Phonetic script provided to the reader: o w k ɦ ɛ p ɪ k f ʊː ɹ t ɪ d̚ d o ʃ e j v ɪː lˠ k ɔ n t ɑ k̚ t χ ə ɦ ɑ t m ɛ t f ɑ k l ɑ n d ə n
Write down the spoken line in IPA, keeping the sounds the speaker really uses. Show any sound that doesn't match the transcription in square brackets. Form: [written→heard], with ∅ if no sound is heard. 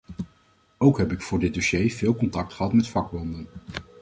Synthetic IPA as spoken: o w k ɦ ɛ p ɪ k f ʊː ɹ [t→d] ɪ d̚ d o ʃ e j v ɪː lˠ k ɔ n t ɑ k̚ t χ ə ɦ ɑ t m ɛ t f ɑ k l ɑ n d ə n

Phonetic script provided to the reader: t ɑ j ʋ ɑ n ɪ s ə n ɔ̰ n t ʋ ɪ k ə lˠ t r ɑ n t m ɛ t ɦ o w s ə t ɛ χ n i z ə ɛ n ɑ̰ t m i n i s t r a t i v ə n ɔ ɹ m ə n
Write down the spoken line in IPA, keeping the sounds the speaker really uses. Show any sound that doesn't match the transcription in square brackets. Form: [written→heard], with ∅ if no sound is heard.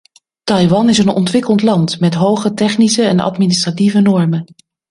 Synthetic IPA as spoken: t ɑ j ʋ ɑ n ɪ s ə n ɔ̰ n t ʋ ɪ k ə lˠ t [r→l] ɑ n t m ɛ t ɦ o w [s→χ] ə t ɛ χ n i [z→s] ə ɛ n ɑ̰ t m i n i s t r a t i v ə n ɔ ɹ m ə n

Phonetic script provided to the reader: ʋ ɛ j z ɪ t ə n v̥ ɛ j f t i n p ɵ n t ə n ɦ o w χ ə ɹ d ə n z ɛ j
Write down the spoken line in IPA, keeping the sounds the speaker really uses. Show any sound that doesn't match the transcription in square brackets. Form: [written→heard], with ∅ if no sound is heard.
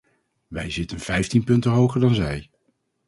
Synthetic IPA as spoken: ʋ ɛ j z ɪ t ə n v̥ ɛ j f t i n p ɵ n t ə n ɦ o w χ ə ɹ d [ə→ɑ] n z ɛ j

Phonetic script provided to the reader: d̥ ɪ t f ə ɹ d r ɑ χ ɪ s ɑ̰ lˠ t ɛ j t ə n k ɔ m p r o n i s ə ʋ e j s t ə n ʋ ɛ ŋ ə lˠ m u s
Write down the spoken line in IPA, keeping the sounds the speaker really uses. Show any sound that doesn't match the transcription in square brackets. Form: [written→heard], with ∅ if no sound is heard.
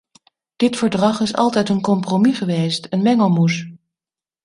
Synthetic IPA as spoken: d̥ ɪ t f ə ɹ d r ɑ χ ɪ s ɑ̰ lˠ t ɛ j t ə n k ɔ m p r o [n→m] i [s→χ] ə ʋ e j s t ə n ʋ ɛ ŋ ə lˠ m u s

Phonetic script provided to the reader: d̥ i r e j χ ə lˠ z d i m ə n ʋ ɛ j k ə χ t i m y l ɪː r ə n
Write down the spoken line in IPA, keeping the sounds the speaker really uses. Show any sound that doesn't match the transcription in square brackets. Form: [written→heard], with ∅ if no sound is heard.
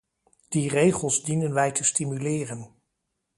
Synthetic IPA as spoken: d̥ i r e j χ ə lˠ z d i [m→n] ə n ʋ ɛ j [k→t] ə [χ→s] t i m y l ɪː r ə n

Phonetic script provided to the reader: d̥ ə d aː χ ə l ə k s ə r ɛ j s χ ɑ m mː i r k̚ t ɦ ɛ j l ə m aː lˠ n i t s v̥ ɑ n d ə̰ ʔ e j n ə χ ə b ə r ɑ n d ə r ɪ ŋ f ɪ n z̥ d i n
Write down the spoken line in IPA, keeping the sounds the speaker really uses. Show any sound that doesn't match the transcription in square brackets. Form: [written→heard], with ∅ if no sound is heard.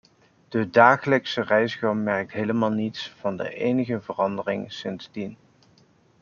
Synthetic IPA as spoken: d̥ ə d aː χ ə l ə k s ə r ɛ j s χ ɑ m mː [i→ɛ] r k̚ t ɦ [ɛ→e] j l ə m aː lˠ n i t s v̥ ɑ n d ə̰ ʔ e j n ə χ ə [b→v] ə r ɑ n d ə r ɪ ŋ [f→s] ɪ n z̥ d i n

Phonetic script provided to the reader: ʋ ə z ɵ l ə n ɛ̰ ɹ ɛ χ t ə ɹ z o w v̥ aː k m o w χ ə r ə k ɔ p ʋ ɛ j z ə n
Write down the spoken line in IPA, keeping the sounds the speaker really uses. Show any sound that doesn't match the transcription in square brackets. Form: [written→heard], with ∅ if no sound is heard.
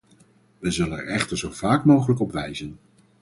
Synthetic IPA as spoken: ʋ ə z ɵ l ə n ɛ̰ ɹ ɛ χ t ə ɹ z o w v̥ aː k m o w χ ə [r→l] ə k ɔ p ʋ ɛ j z ə n

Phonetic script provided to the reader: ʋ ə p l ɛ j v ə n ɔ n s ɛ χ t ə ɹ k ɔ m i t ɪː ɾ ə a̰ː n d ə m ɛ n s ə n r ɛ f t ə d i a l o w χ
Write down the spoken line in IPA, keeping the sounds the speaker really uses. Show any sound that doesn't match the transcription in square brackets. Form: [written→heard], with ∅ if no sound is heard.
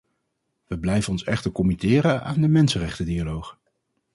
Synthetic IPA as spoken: ʋ ə [p→b] l ɛ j v ə n ɔ n s ɛ χ t ə ɹ k ɔ m i t ɪː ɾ ə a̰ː n d ə m ɛ n s ə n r ɛ [f→χ] t ə d i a l o w χ

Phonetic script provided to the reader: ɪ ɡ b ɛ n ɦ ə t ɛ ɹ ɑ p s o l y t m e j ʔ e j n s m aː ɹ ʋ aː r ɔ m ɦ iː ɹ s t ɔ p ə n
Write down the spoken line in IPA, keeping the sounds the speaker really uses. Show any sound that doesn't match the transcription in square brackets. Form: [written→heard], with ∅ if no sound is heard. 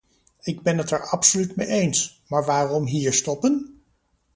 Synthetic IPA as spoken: ɪ ɡ b ɛ n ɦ ə t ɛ ɹ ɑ p s o l y t m e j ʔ e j n s m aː ɹ ʋ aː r ɔ m ɦ iː ɹ s t ɔ p ə n

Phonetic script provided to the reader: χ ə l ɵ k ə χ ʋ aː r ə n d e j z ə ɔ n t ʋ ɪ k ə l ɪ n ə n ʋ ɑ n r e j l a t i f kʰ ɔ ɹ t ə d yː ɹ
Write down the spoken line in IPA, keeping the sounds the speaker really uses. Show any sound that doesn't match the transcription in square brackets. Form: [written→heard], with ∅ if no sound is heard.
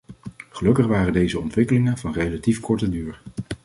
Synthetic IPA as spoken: χ ə l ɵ k ə χ ʋ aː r ə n d e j z ə ɔ n t ʋ ɪ k ə l ɪ [n→ŋ] ə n [ʋ→v] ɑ n r e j l a t i f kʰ ɔ ɹ t ə d yː ɹ

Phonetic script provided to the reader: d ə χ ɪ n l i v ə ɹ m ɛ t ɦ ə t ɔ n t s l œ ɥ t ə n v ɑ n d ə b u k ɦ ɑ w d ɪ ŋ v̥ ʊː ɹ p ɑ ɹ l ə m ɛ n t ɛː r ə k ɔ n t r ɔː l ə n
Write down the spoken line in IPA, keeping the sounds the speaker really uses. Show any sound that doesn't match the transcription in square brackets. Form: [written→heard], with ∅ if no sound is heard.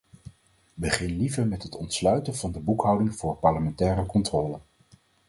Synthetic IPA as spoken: [d→b] ə χ ɪ n l i v ə ɹ m ɛ t ɦ ə t ɔ n t s l œ ɥ t ə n v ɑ n d ə b u k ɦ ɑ w d ɪ ŋ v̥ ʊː ɹ p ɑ ɹ l ə m ɛ n t ɛː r ə k ɔ n t r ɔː l ə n

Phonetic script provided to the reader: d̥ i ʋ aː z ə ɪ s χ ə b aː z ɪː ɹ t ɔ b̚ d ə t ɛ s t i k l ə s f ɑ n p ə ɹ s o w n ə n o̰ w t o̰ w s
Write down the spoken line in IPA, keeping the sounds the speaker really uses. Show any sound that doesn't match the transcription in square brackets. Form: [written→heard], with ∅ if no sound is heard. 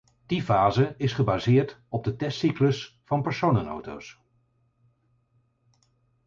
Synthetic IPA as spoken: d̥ i [ʋ→v] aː z ə ɪ s χ ə b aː z ɪː ɹ t ɔ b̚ d ə t ɛ s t i k l ə s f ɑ n p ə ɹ s o w n ə n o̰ w t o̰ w s

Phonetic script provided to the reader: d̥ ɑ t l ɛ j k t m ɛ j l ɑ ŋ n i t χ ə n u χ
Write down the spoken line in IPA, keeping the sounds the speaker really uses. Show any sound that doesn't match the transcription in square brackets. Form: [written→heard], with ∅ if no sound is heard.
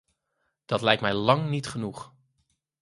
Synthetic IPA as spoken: d̥ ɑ t l ɛ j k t m ɛ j l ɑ ŋ n i t χ ə n u χ

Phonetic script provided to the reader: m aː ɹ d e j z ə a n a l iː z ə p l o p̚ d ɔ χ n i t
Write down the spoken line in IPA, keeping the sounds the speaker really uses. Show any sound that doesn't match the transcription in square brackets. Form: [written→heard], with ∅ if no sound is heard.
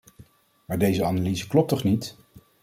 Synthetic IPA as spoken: m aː ɹ d e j z ə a n a l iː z ə [p→k] l [o→ɔ] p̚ [d→t] ɔ χ n i t

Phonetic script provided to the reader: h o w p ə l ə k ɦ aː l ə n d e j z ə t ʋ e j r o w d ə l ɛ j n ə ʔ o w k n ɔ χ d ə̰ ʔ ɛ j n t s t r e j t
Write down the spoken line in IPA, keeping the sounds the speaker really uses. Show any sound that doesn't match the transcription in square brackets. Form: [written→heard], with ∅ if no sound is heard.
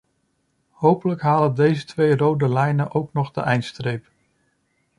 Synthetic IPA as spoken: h o w p ə l ə k ɦ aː l ə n d e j z ə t ʋ e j r o w d ə l ɛ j n ə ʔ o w k n ɔ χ d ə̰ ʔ ɛ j n t s t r e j [t→p]

